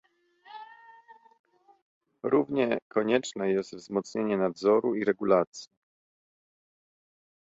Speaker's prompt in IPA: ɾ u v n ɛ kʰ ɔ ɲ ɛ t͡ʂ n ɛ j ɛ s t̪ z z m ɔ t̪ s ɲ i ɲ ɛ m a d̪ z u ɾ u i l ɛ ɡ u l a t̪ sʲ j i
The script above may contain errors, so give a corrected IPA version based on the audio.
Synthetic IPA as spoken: ɾ u v ɲ ɛ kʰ ɔ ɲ ɛ t͡ʂ n ɛ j ɛ s t̪ v z m ɔ t̪ s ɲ e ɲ ɛ n a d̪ z ɔ ɾ u i ɾ ɛ ɡ u l a t̪ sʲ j i